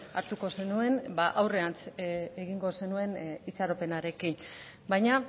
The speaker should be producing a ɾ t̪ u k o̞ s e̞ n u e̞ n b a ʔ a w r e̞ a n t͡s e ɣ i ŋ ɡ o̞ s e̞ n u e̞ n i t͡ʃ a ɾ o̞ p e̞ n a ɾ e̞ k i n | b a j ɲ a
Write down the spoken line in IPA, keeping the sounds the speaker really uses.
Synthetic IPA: a ɾ t̪ u k o̞ s e̞ n u e̞ n b a ʔ a w r e̞ a n t͡s e ɣ i ŋ ɡ o̞ s e̞ n u e̞ n i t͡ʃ a ɾ o̞ p e̞ n a ɾ e̞ k i n | b a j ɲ a